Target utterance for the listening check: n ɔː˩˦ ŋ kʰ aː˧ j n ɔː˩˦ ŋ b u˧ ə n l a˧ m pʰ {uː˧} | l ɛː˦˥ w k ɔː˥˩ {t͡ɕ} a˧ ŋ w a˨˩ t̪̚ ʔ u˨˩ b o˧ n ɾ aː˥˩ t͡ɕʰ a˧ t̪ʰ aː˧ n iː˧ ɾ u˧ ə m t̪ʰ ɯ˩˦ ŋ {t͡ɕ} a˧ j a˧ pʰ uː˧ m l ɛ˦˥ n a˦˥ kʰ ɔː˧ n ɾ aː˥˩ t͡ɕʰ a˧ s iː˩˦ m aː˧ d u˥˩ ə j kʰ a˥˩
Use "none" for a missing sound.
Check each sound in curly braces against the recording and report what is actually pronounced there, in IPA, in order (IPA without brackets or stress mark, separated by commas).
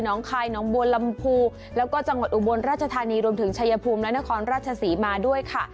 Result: uː˧, t͡ɕ, t͡ɕʰ